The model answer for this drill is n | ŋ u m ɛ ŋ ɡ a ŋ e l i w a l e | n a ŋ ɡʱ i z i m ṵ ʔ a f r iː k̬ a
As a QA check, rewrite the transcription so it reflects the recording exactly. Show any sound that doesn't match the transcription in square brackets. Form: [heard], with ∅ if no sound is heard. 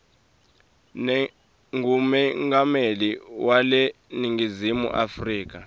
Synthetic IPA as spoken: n | ŋ u m ɛ ŋ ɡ a [m] e l i w a l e | n [i] ŋ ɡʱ i z i m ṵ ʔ a f r iː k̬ a